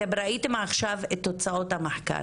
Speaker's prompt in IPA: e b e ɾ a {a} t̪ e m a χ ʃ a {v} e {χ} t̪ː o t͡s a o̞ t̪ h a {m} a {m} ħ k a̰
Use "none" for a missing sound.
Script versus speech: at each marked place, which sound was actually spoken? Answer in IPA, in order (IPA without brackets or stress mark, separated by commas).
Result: i, v, none, m, none